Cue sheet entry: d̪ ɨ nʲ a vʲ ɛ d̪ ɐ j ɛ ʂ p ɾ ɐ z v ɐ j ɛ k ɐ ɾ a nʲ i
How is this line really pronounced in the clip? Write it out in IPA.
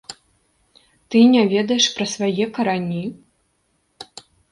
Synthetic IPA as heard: t̪ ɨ nʲ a vʲ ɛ d̪ ɐ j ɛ ʂ p ɾ ɐ s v a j ɛ k ɐ ɾ a nʲ i